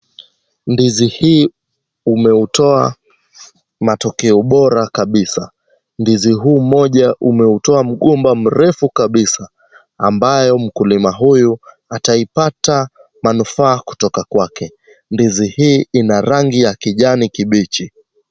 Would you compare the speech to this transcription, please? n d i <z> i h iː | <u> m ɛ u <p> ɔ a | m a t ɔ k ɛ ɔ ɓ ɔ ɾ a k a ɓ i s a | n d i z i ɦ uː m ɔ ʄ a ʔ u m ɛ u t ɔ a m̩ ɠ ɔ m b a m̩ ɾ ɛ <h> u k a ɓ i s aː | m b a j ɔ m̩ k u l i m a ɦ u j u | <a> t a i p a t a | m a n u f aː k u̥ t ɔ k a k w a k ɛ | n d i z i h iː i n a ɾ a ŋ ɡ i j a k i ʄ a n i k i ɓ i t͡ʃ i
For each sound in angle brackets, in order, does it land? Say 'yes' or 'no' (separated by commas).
yes, yes, no, no, yes